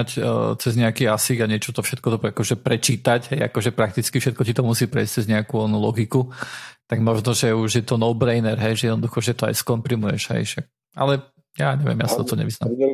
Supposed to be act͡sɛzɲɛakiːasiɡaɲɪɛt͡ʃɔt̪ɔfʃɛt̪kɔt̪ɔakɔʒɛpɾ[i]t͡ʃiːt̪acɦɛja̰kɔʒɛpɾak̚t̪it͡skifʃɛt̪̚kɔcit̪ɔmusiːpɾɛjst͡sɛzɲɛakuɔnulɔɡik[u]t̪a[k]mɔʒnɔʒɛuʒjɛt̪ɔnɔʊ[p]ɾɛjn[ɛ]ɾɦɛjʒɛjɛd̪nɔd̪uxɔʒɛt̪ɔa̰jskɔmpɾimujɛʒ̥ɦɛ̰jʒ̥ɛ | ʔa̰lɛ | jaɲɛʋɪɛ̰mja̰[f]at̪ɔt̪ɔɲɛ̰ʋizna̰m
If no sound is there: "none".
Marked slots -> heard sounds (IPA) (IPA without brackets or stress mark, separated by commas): ɛ, u, ɡ, b, ɛ, s